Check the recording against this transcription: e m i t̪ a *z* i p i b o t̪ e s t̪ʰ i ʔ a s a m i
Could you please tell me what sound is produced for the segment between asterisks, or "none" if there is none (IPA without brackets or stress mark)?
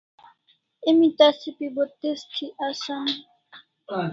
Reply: s